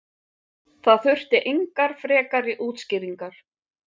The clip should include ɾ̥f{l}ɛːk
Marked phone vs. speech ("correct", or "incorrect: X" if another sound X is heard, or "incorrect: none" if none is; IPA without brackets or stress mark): incorrect: ɾ